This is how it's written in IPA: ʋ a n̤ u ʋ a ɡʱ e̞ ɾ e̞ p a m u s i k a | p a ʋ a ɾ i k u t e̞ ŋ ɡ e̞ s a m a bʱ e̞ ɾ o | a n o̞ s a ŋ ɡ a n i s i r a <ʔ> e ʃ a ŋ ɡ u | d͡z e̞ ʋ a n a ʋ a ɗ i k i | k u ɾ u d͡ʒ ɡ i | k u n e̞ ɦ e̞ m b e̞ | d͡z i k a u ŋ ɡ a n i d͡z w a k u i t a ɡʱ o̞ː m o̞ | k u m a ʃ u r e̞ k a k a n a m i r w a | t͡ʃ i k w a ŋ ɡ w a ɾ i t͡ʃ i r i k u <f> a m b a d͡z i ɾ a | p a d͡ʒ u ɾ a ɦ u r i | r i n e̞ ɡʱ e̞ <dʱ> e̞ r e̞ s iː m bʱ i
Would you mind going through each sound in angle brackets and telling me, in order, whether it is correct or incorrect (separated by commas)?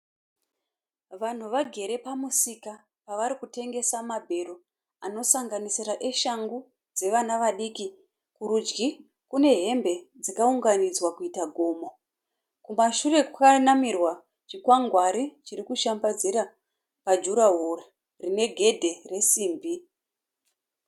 correct, incorrect, correct